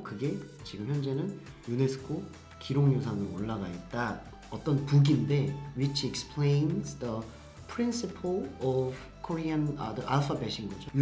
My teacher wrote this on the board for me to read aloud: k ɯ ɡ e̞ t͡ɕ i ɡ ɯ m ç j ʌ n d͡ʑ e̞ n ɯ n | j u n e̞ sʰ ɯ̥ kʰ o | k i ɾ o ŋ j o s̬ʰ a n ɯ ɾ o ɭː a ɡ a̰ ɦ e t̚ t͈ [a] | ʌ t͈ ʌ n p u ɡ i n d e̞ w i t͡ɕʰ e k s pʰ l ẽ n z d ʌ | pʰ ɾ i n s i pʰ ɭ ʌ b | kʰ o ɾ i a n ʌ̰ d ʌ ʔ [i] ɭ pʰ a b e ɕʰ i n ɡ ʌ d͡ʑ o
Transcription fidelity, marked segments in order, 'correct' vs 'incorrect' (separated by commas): correct, incorrect